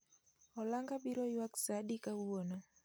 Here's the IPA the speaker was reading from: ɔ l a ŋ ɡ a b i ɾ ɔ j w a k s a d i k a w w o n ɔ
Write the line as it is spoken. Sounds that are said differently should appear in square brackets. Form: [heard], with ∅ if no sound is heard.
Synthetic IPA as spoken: ɔ l a ŋ ɡ a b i ɾ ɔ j w a k s a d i k a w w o n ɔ